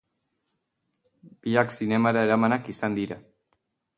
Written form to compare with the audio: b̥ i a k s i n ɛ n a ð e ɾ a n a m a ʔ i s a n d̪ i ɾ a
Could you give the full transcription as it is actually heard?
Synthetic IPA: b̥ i a k s i n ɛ m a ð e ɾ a m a n a k i s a n d̪ i ɾ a